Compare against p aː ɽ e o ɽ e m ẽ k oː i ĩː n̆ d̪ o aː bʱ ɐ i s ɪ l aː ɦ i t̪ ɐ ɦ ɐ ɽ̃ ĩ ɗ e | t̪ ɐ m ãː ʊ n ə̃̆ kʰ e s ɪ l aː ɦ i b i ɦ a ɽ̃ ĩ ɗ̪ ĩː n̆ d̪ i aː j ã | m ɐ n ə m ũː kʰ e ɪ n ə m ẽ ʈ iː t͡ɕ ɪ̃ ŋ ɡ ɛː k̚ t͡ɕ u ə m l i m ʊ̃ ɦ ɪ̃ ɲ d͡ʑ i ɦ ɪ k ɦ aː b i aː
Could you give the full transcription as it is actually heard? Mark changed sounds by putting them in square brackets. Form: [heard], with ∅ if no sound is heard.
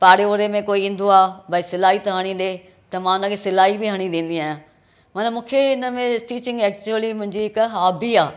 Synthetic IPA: p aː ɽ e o [ɾ] e m ẽ k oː i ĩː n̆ d̪ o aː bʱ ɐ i s ɪ l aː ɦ i t̪ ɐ ɦ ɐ ɽ̃ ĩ ɗ e | t̪ ɐ m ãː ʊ n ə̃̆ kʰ e s ɪ l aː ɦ i b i ɦ [ɐ] ɽ̃ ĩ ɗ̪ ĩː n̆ d̪ i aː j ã | m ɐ n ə m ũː kʰ e ɪ n ə m ẽ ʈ iː t͡ɕ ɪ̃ ŋ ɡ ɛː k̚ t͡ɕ u ə [∅] l i m ʊ̃ ɦ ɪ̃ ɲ d͡ʑ i ɦ ɪ k ɦ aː b i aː

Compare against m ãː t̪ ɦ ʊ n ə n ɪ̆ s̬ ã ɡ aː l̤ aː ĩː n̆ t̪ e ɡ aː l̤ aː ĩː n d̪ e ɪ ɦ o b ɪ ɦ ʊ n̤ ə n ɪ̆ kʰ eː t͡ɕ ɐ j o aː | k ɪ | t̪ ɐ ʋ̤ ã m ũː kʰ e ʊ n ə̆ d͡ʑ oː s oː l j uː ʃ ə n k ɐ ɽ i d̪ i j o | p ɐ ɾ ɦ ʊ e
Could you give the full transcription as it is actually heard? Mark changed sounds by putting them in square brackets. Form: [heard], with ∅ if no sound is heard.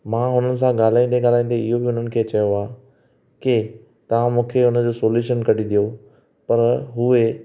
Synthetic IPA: m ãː [∅] ɦ ʊ n ə n ɪ̆ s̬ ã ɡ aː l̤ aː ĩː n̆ [d̪] e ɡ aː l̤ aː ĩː n d̪ e ɪ ɦ o b ɪ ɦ ʊ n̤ ə n ɪ̆ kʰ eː t͡ɕ ɐ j o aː | k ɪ | t̪ ɐ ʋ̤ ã m ũː kʰ e ʊ n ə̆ d͡ʑ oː s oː l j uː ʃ ə n k ɐ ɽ i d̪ i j o | p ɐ ɾ ɦ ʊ e

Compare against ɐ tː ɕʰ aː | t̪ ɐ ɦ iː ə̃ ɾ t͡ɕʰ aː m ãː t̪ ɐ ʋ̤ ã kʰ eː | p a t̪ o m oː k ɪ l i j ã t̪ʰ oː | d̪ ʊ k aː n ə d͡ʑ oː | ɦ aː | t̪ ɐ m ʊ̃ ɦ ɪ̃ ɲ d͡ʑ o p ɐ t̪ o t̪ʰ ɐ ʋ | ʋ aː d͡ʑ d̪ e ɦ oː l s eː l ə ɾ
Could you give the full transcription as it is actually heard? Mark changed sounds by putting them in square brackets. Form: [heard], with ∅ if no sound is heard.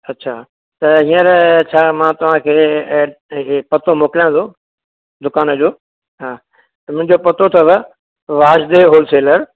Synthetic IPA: ɐ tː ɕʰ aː | t̪ ɐ ɦ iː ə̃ ɾ t͡ɕʰ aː m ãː t̪ ɐ ʋ̤ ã kʰ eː | p [ɐ] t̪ o m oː k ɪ l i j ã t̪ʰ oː | d̪ ʊ k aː n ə d͡ʑ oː | ɦ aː | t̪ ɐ m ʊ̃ ɦ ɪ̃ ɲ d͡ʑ o p ɐ t̪ o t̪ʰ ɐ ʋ | ʋ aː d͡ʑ d̪ e ɦ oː l s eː l ə ɾ

